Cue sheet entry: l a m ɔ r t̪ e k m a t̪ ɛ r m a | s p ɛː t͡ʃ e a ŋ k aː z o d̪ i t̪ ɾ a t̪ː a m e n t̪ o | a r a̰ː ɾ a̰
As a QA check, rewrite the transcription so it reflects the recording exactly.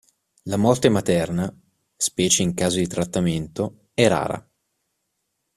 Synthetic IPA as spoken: l a m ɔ r t̪ e m a t̪ ɛ r n a | s p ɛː t͡ʃ e i ŋ k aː z o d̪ i t̪ ɾ a t̪ː a m e n t̪ o | ɛ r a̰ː ɾ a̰